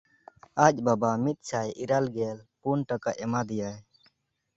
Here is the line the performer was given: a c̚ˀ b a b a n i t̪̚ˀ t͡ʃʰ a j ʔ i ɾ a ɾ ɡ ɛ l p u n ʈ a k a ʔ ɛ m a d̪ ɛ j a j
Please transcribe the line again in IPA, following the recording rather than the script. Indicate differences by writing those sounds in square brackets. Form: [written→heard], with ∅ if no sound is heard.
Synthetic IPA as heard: a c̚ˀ b a b a [n→m] i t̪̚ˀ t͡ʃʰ a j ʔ i ɾ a [ɾ→l] ɡ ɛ l p u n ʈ a k a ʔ ɛ m a d̪ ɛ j a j